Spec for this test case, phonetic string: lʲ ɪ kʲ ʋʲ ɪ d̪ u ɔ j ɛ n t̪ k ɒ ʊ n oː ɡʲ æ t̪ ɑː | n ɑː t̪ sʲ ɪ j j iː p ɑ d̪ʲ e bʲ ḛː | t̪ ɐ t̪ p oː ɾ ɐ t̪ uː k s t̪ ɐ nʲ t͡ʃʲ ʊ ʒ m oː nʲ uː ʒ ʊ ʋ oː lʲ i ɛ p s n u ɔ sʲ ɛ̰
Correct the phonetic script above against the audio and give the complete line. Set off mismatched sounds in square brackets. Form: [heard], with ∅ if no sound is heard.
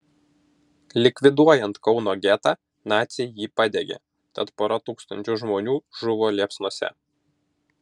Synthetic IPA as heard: lʲ ɪ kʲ ʋʲ ɪ d̪ u ɔ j ɛ n t̪ k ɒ ʊ n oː ɡʲ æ t̪ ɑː | n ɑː t̪ sʲ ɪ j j iː p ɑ d̪ʲ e [ɡʲ] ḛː | t̪ ɐ t̪ p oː ɾ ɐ t̪ uː k s t̪ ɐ nʲ t͡ʃʲ ʊ ʒ m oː nʲ uː ʒ ʊ ʋ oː lʲ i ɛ p s n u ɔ sʲ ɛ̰